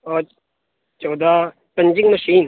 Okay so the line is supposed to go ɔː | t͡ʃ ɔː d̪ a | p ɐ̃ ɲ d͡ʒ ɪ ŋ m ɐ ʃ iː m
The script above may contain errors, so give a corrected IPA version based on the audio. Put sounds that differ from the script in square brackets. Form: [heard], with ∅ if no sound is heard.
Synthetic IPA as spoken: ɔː | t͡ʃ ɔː d̪ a | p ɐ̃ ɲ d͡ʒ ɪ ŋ m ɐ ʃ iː [n]